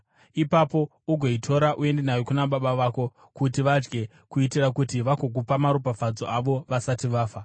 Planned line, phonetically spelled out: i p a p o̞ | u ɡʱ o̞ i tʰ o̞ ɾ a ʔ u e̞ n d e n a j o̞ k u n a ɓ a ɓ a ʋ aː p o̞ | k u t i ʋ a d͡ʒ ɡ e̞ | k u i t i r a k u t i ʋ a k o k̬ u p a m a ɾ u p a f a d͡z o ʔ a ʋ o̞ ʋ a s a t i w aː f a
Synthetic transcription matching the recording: i p a p o̞ | u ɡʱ o̞ i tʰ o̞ ɾ a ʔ u e̞ n d e n a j o̞ k u n a ɓ a ɓ a ʋ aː k o̞ | k u t i ʋ a d͡ʒ ɡ e̞ | k u i t i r a k u t i ʋ a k o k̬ u p a m a ɾ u p a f a d͡z o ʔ a ʋ o̞ ʋ a s a t i ʋ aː f a